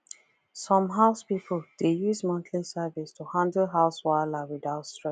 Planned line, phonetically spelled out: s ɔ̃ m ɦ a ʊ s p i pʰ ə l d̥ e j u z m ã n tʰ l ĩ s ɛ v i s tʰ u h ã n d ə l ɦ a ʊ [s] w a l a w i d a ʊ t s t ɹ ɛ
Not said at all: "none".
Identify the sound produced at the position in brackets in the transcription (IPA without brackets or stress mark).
s